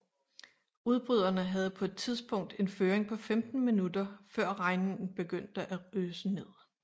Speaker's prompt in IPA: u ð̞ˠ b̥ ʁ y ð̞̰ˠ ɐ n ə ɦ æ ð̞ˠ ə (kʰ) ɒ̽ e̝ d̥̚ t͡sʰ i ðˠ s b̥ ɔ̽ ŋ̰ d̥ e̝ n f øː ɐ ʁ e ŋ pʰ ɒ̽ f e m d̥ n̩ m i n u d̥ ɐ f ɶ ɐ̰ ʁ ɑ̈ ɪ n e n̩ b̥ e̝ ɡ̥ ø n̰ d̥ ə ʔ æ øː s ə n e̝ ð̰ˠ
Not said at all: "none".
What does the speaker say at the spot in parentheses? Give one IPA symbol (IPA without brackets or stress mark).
pʰ